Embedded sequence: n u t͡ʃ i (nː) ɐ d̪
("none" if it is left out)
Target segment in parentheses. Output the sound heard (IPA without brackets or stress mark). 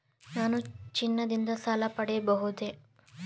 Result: nː